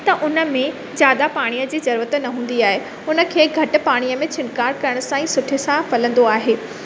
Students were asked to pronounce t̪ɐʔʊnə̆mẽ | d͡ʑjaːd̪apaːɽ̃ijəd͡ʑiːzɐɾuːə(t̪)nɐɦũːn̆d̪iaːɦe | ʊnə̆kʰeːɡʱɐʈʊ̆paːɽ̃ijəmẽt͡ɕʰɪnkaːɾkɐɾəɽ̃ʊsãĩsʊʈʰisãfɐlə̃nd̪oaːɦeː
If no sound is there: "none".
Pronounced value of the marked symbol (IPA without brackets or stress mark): t̪